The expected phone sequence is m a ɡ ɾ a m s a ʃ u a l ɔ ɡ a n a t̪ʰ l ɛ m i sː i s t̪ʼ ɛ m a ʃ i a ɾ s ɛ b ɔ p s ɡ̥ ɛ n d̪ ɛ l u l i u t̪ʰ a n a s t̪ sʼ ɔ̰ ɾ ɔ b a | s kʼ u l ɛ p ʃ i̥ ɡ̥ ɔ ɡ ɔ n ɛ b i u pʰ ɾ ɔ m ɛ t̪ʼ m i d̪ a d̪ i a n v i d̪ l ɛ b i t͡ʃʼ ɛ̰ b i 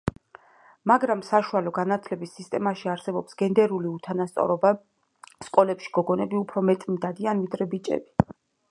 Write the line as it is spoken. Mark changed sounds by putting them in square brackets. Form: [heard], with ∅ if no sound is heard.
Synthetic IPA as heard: m a ɡ ɾ a m s a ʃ u a l ɔ ɡ a n a t̪ʰ l ɛ [b] i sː i s t̪ʼ ɛ m a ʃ i a ɾ s ɛ b ɔ p s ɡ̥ ɛ n d̪ ɛ [ɾ] u l i u t̪ʰ a n a s t̪ sʼ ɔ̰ ɾ ɔ b a | s kʼ [ɔ] l ɛ p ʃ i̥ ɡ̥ ɔ ɡ ɔ n ɛ b i u pʰ ɾ ɔ m ɛ t̪ʼ m i d̪ a d̪ i a n v i d̪ [ɾ] ɛ b i t͡ʃʼ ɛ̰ b i